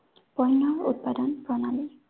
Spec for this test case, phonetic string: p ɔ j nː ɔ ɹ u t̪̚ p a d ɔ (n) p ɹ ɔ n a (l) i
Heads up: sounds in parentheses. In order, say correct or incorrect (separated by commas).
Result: correct, correct